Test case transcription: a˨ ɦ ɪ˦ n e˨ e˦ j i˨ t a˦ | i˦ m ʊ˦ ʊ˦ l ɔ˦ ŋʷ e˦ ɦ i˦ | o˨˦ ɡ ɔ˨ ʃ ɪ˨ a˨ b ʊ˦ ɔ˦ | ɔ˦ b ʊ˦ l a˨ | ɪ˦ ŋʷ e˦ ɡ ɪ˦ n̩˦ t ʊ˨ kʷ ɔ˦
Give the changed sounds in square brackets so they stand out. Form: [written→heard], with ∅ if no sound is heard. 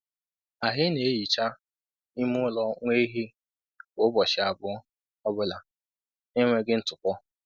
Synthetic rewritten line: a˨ ɦ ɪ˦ n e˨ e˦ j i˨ [t→t͡ʃ] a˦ | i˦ m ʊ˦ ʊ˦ l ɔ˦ ŋʷ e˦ ɦ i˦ | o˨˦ [ɡ→b] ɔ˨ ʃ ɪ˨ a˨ b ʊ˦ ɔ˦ | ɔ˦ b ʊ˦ l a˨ | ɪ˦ ŋʷ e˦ ɡ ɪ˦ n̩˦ t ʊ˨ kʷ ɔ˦